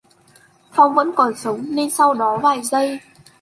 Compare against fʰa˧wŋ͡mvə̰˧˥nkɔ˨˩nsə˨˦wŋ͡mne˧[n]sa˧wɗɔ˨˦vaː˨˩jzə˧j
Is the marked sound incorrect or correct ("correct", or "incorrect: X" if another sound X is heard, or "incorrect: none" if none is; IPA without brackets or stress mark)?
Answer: correct